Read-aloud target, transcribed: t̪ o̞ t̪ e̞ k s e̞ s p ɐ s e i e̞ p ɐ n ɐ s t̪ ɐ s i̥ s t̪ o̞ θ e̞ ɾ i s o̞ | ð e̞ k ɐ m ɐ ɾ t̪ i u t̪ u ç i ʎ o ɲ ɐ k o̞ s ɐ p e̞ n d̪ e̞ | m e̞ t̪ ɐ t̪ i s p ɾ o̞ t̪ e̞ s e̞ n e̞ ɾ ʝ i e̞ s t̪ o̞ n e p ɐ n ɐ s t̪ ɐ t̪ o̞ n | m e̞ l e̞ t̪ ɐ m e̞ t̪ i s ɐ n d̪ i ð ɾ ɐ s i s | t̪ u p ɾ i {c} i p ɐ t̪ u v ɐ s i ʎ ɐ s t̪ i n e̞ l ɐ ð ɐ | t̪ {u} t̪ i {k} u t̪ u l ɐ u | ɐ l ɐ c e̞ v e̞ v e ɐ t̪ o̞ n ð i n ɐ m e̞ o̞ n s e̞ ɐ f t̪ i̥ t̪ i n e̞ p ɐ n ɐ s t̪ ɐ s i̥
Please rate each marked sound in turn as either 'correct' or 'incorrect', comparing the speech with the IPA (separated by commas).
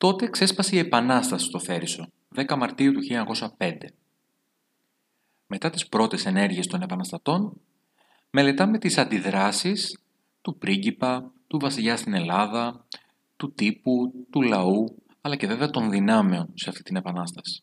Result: incorrect, correct, incorrect